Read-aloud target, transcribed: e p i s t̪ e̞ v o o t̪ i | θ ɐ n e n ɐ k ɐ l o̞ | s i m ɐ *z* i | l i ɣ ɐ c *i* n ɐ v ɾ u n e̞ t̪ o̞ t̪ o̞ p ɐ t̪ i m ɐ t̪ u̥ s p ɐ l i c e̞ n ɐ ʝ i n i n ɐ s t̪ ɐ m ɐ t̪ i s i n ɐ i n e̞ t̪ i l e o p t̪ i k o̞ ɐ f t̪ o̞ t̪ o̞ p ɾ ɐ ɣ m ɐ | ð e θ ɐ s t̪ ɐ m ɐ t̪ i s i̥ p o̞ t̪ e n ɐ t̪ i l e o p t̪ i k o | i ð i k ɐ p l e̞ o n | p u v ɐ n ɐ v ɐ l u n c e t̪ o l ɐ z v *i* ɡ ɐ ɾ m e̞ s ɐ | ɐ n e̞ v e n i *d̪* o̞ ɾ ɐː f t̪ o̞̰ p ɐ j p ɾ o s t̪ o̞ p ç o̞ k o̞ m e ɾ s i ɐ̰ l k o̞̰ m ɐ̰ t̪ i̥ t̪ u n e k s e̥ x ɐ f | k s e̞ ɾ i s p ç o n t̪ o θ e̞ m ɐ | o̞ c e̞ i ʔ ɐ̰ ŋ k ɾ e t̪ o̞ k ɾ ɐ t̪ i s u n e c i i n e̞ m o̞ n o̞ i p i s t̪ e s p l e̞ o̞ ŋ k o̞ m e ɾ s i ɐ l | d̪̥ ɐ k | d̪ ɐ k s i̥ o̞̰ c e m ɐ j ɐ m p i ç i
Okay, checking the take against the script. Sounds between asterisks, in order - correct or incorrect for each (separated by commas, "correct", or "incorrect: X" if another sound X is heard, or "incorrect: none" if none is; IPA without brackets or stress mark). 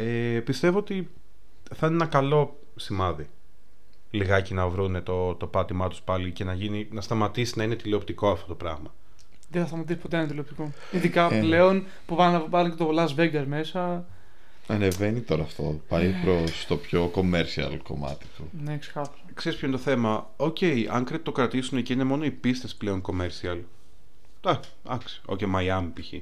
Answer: incorrect: ð, correct, incorrect: e, incorrect: t̪